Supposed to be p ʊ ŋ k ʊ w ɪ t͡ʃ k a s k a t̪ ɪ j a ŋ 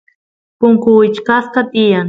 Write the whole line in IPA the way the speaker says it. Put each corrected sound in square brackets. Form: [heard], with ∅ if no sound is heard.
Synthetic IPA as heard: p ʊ ŋ k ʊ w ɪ t͡ʃ k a s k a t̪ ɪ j a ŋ